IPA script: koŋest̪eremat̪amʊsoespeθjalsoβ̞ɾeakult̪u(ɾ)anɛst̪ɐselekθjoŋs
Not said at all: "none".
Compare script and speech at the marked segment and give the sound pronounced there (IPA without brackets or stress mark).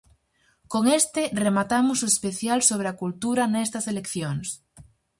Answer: ɾ